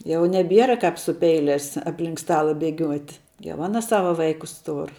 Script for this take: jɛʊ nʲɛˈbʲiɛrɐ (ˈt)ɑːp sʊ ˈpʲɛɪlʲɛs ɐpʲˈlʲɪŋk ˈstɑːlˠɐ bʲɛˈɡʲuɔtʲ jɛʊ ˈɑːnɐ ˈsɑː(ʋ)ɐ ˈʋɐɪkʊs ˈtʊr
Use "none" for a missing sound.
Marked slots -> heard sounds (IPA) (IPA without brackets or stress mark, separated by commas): k, ʋ